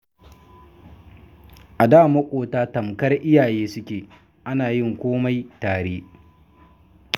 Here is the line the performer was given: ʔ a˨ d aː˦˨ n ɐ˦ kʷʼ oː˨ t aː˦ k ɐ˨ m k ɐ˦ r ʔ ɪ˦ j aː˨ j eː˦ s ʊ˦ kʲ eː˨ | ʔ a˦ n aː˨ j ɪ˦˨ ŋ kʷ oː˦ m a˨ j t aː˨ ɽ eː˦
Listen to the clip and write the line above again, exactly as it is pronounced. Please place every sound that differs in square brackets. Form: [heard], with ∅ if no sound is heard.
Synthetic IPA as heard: ʔ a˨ d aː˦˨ [m] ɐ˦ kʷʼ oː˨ t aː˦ [t] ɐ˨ m k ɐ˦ r ʔ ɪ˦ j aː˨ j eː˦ s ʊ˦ kʲ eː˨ | ʔ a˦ n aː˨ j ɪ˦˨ ŋ kʷ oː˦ m [a˦] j t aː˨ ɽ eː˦